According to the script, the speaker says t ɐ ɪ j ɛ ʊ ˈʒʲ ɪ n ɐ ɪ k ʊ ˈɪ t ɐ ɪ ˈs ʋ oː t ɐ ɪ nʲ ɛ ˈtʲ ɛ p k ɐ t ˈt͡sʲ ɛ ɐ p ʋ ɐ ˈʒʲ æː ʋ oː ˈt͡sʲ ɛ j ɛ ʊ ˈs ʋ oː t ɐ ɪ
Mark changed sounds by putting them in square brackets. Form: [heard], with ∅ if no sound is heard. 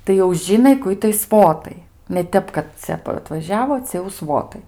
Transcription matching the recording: t ɐ ɪ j ɛ ʊ ˈʒʲ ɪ n ɐ ɪ k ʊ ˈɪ t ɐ ɪ ˈs ʋ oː t ɐ ɪ nʲ ɛ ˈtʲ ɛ p k ɐ t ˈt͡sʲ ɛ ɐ [t] ʋ ɐ ˈʒʲ æː ʋ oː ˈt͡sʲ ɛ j ɛ ʊ ˈs ʋ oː t ɐ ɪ